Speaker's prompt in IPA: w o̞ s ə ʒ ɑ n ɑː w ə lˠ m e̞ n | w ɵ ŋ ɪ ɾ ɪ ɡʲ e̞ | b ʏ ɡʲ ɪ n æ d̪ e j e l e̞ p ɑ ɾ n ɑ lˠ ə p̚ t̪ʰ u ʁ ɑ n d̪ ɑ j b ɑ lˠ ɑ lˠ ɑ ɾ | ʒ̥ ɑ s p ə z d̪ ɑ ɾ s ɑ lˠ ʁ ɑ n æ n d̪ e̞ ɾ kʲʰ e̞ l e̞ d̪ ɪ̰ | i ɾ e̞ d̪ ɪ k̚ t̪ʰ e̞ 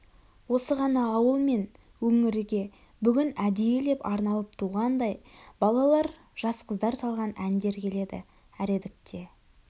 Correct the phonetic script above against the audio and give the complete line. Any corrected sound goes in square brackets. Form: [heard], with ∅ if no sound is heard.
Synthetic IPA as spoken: w o̞ s ə [ʁ] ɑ n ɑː w ə lˠ m e̞ n | w ɵ ŋ ɪ ɾ ɪ ɡʲ e̞ | b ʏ ɡʲ ɪ n æ d̪ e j e l e̞ p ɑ ɾ n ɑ lˠ ə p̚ t̪ʰ u ʁ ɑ n d̪ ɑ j b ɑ lˠ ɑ lˠ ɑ ɾ | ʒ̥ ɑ s [q] ə z d̪ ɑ ɾ s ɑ lˠ ʁ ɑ n æ n d̪ e̞ ɾ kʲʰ e̞ l e̞ d̪ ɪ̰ | [æ] ɾ e̞ d̪ ɪ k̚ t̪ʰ e̞

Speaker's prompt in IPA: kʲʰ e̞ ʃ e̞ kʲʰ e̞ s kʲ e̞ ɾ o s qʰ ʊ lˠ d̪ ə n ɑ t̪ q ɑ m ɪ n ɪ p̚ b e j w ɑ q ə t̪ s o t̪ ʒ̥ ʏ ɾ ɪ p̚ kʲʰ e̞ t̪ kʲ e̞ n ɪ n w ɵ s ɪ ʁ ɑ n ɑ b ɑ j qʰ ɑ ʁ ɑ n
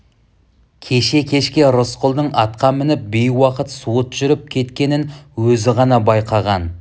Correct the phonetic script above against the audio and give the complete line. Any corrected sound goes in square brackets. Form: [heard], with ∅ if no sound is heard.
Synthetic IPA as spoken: kʲʰ e̞ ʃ e̞ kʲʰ e̞ [ʃ] kʲ e̞ ɾ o s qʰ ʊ lˠ d̪ ə [ɴ] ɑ t̪ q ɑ m ɪ n ɪ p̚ b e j w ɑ q ə t̪ s o t̪ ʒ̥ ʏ ɾ ɪ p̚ kʲʰ e̞ t̪ kʲ e̞ n ɪ n w ɵ [z] ɪ ʁ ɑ n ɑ b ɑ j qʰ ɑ ʁ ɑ n

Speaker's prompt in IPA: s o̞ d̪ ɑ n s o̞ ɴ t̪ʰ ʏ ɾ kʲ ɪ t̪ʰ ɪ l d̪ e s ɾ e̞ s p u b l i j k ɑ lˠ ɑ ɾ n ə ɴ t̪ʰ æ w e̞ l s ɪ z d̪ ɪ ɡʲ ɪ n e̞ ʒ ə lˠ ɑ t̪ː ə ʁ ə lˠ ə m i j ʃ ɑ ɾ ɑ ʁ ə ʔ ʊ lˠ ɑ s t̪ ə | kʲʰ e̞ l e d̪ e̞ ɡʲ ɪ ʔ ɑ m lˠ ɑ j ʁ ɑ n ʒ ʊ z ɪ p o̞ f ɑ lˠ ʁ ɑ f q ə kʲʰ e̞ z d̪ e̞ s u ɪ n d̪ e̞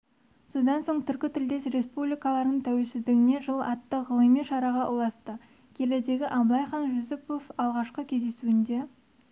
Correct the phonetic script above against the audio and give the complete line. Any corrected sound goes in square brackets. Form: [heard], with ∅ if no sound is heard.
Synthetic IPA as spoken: s o̞ d̪ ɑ n s o̞ ɴ t̪ʰ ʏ ɾ kʲ ɪ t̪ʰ ɪ l d̪ e s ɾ e̞ s p u b l i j k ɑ lˠ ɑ ɾ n ə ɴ t̪ʰ æ w e̞ l s ɪ z d̪ ɪ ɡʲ ɪ n e̞ ʒ ə lˠ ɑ t̪ː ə ʁ ə lˠ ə m i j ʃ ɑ ɾ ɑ ʁ [ɑ] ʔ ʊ lˠ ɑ s t̪ ə | kʲʰ e̞ l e d̪ e̞ ɡʲ ɪ ʔ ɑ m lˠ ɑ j [χ] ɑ n ʒ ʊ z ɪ p o̞ f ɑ lˠ ʁ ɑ [ʃ] q ə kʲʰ e̞ z d̪ e̞ s u ɪ n d̪ e̞

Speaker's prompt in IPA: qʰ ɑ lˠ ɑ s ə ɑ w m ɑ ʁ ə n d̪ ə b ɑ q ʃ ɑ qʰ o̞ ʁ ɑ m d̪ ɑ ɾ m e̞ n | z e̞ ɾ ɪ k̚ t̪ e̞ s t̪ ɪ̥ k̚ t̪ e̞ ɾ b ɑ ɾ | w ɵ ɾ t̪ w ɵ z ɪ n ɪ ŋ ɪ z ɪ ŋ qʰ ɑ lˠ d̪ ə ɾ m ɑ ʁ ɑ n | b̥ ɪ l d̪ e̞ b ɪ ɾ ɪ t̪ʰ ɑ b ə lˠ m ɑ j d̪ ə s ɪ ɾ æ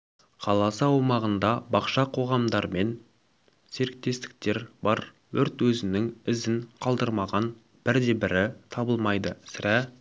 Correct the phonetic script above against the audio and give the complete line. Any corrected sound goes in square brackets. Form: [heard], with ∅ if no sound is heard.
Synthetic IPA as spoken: qʰ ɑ lˠ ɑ s ə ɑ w m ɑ ʁ ə n d̪ [ɑ] b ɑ q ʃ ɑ qʰ o̞ ʁ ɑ m d̪ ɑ ɾ m e̞ n | [s] e̞ ɾ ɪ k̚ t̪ e̞ s t̪ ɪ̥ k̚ t̪ e̞ ɾ b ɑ ɾ | w ɵ ɾ t̪ w ɵ z ɪ n ɪ ŋ ɪ z ɪ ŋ qʰ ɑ lˠ d̪ ə ɾ m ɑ ʁ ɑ n | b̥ ɪ [ɾ] d̪ e̞ b ɪ ɾ ɪ t̪ʰ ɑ b ə lˠ m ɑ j d̪ ə s ɪ ɾ æ

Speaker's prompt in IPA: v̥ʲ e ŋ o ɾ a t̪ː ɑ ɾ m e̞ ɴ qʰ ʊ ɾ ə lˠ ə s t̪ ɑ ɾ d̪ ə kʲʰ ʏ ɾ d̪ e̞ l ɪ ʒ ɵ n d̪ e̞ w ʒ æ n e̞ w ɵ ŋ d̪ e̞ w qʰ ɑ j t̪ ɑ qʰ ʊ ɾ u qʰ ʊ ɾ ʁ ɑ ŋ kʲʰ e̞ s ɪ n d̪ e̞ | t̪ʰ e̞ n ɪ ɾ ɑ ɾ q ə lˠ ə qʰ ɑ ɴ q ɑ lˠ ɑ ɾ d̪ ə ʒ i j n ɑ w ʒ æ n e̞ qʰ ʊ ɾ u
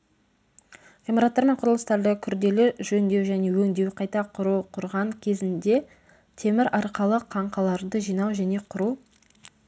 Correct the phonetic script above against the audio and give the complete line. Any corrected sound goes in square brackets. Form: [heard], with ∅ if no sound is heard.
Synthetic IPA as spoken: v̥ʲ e [m] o ɾ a t̪ː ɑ ɾ m e̞ ɴ qʰ ʊ ɾ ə lˠ ə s t̪ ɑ ɾ d̪ ə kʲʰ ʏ ɾ d̪ e̞ l ɪ ʒ ɵ n d̪ e̞ w ʒ æ n e̞ w ɵ ŋ d̪ e̞ w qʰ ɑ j t̪ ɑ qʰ ʊ ɾ u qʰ ʊ ɾ ʁ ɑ ŋ kʲʰ e̞ [z] ɪ n d̪ e̞ | t̪ʰ e̞ [m] ɪ ɾ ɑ ɾ q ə lˠ ə qʰ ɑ ɴ q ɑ lˠ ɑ ɾ d̪ ə ʒ i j n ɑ w ʒ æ n e̞ qʰ ʊ ɾ u

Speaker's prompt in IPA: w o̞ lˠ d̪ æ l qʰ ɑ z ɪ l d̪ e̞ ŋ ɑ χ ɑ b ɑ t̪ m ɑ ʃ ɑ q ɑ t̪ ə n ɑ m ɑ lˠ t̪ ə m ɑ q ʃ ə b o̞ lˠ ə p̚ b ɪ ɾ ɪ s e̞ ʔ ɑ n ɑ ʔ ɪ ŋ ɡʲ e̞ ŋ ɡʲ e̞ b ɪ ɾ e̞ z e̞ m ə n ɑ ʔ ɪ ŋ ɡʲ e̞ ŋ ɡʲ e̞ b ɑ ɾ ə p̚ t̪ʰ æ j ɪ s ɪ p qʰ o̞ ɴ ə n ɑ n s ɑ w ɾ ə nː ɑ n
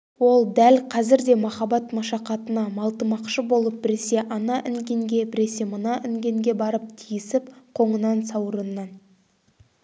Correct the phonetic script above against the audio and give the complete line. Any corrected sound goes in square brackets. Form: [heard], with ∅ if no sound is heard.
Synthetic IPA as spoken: w o̞ lˠ d̪ æ l qʰ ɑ z ɪ [ɾ] d̪ e̞ [m] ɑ χ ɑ b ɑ t̪ m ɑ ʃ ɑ q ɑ t̪ ə n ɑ m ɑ lˠ t̪ ə m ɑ q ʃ ə b o̞ lˠ ə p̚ b ɪ ɾ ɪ s e̞ ʔ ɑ n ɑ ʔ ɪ ŋ ɡʲ e̞ ŋ ɡʲ e̞ b ɪ ɾ e̞ [s] e̞ m ə n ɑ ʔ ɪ ŋ ɡʲ e̞ ŋ ɡʲ e̞ b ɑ ɾ ə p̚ t̪ʰ [i] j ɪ s ɪ p qʰ o̞ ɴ ə n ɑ n s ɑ w ɾ ə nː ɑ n

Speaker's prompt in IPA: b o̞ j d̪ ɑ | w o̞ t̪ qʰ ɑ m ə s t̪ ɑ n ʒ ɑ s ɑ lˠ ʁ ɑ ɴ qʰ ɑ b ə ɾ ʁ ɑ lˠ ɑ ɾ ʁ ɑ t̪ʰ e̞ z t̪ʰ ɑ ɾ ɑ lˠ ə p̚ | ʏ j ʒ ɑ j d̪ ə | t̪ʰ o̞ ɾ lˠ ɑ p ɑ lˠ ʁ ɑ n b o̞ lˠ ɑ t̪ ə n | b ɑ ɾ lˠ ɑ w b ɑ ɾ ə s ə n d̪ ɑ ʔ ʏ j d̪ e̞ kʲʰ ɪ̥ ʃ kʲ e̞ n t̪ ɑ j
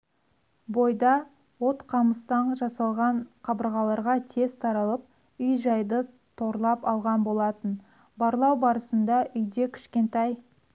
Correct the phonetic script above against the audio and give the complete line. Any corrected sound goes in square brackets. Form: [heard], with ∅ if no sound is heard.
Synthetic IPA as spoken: b o̞ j d̪ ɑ | w o̞ t̪ qʰ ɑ m ə s t̪ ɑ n ʒ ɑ s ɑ lˠ ʁ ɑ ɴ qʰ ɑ b ə ɾ ʁ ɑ lˠ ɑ ɾ ʁ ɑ t̪ʰ e̞ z t̪ʰ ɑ ɾ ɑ lˠ ə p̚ | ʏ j ʒ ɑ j d̪ ə | t̪ʰ o̞ ɾ lˠ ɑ p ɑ lˠ ʁ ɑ n b o̞ lˠ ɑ t̪ ə n | b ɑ ɾ lˠ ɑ w b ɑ ɾ ə s ə n d̪ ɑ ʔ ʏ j d̪ e̞ kʲʰ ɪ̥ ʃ kʲ e̞ n t̪ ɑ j

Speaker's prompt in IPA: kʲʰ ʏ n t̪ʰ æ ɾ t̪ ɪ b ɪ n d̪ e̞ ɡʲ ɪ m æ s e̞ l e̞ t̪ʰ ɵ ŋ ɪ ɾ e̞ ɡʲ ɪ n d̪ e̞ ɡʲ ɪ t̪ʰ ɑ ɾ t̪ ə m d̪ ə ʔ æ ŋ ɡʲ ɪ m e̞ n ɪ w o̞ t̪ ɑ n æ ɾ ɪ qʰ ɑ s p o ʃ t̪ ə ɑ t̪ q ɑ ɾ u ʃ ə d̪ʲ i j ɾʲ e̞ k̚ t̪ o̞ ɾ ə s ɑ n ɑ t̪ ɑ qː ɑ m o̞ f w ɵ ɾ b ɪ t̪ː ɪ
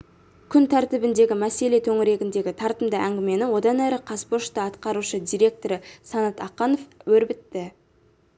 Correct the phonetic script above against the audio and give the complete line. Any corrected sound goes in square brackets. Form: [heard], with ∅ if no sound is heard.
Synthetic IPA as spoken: kʲʰ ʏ n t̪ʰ æ ɾ t̪ ɪ b ɪ n d̪ e̞ ɡʲ ɪ m æ s e̞ l e̞ t̪ʰ ɵ ŋ ɪ ɾ e̞ ɡʲ ɪ n d̪ e̞ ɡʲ ɪ t̪ʰ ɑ ɾ t̪ ə m d̪ ə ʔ æ ŋ ɡʲ ɪ m e̞ n ɪ w o̞ [d̪] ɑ n æ ɾ ɪ qʰ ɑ s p o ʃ t̪ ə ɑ t̪ q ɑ ɾ u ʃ ə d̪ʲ i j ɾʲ e̞ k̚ t̪ o̞ ɾ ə s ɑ n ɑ t̪ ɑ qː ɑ [n] o̞ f w ɵ ɾ b ɪ t̪ː ɪ

